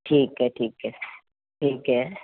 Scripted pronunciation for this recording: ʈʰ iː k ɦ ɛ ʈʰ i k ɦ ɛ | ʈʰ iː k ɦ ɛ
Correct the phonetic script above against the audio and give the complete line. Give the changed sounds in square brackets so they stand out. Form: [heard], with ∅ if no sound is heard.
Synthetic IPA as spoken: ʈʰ iː k ɦ ɛ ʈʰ [iː] k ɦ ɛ | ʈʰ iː k ɦ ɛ